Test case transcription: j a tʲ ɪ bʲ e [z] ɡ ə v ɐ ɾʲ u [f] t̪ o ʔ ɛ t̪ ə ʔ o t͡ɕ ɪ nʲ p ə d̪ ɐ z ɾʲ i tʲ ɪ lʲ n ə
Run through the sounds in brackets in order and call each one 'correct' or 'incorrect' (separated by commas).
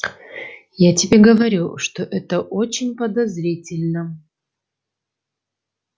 incorrect, incorrect